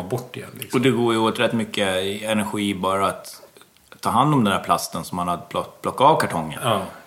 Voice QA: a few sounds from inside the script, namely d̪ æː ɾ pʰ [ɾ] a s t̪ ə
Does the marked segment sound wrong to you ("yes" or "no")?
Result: yes